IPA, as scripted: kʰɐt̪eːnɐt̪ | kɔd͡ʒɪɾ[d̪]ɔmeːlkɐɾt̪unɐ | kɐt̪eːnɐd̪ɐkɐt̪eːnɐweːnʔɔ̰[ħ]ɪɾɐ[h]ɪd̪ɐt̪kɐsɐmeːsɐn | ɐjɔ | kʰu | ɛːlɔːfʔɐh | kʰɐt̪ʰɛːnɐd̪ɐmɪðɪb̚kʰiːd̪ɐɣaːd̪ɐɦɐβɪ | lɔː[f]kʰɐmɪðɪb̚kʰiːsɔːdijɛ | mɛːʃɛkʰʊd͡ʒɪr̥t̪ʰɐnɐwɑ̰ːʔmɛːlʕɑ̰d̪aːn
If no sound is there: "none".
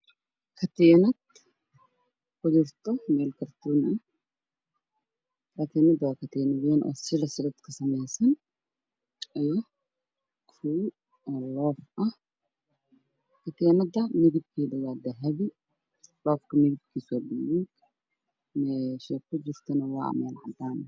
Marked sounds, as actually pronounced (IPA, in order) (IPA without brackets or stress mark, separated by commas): t̪, s, s, f